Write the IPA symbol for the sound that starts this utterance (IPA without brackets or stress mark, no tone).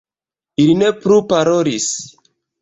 i